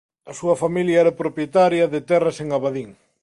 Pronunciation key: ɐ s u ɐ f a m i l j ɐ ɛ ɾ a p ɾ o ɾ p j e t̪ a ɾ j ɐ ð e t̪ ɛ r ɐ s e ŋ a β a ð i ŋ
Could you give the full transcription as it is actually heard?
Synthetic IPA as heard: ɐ s u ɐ f a m i l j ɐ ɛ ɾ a p ɾ o p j e t̪ a ɾ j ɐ ð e t̪ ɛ r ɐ s e ŋ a β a ð i ŋ

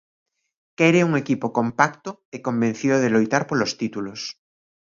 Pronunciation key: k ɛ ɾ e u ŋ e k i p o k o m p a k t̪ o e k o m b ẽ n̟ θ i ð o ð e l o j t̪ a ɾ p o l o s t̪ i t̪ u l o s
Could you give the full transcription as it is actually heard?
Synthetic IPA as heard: k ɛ ɾ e u ŋ e k i p o k o m p a k t̪ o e k o m b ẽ n̟ θ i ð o ð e l o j t̪ a ɾ p o l o s t̪ i t̪ u l o s

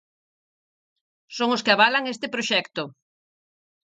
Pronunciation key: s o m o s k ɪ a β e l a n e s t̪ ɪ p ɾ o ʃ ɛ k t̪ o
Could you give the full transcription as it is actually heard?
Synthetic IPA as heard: s o ŋ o s k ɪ a β a l a ŋ e s t̪ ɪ p ɾ o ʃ ɛ k t̪ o

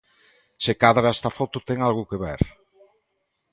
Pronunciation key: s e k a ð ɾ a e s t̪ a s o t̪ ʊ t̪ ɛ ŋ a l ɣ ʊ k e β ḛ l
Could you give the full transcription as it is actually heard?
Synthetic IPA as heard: s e k a ð ɾ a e s t̪ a f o t̪ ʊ t̪ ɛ ŋ a l ɣ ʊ k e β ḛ ɾ

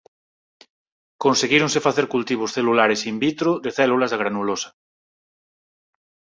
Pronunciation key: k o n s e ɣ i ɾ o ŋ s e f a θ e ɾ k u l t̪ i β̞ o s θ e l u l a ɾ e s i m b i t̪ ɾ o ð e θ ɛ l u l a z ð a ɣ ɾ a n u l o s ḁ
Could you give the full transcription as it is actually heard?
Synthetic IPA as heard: k o n s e ɣ i ɾ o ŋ s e f a θ e ɾ k u l t̪ i β̞ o s θ e l u l a ɾ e s i m b i t̪ ɾ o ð e θ ɛ l u l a z ð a ɣ ɾ a n u l o s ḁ

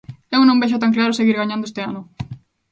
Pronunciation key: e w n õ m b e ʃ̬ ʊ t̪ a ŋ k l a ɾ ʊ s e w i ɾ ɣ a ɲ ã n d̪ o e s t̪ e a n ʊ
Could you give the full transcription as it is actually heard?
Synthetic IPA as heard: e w n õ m b e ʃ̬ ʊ t̪ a ŋ k l a ɾ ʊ s e ɣ i ɾ ɣ a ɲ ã n d̪ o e s t̪ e a n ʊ

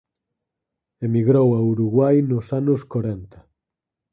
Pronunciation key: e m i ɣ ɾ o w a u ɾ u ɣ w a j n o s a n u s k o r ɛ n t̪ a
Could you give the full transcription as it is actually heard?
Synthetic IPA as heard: e m i ɣ ɾ o w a u ɾ u ɣ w a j n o s a n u s k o ɾ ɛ n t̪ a

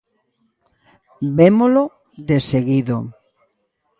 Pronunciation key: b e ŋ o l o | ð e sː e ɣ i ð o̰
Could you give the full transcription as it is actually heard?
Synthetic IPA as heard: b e m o l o | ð e s e ɣ i ð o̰

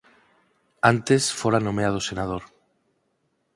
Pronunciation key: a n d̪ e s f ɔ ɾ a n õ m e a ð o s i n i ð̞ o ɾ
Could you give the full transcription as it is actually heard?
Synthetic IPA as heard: a n t̪ e s f o ɾ a n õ m e a ð o s e n a ð̞ o ɾ

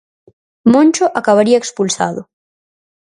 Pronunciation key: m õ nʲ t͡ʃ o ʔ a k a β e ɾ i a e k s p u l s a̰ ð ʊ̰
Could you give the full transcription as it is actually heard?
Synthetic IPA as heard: m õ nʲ t͡ʃ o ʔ a k a β a ɾ i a e k s p u l s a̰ ð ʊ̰

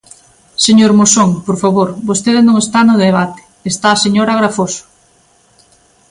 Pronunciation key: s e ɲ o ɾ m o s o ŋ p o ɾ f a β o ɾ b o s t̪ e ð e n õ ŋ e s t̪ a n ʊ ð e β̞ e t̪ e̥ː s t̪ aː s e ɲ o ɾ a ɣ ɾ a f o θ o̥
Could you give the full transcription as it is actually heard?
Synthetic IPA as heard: s e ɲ o ɾ m o s o ŋ p o ɾ f a β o ɾ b o s t̪ e ð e n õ ŋ e s t̪ a n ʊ ð e β̞ a t̪ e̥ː s t̪ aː s e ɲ o ɾ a ɣ ɾ a f o s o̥

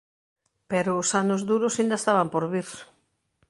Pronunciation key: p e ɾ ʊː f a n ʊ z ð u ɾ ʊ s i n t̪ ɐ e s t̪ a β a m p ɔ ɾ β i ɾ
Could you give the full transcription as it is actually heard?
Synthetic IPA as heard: p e ɾ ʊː s a n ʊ z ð u ɾ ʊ s i n d̪ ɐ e s t̪ a β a m p o ɾ β i ɾ

